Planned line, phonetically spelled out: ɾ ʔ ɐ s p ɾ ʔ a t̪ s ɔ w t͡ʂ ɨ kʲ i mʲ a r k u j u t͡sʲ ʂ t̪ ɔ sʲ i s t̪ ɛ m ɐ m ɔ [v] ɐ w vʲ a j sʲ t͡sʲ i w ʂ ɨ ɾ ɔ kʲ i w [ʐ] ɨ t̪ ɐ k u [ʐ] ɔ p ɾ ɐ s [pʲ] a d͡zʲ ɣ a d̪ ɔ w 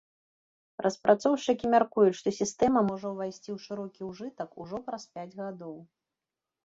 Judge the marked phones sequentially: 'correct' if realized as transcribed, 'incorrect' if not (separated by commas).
incorrect, correct, correct, correct